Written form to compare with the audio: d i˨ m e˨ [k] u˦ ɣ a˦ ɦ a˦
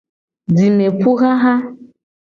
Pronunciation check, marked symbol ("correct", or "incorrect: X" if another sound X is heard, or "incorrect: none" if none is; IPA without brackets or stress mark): incorrect: p